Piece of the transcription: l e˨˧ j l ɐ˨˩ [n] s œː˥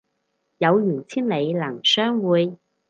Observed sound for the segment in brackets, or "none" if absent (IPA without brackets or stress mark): ŋ